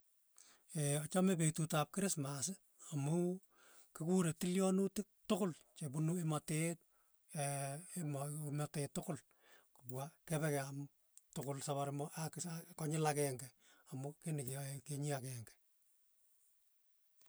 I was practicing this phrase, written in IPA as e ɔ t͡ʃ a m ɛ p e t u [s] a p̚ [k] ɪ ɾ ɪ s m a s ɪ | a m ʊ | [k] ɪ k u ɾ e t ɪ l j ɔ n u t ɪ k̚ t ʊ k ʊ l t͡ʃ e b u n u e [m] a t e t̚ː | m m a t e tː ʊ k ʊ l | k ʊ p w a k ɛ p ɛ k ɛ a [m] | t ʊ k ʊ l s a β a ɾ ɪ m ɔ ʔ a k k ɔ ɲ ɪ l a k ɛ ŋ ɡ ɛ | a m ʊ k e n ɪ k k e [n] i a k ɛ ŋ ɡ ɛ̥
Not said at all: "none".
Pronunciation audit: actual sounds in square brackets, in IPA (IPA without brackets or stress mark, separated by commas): t, k, k, m, m, ɲ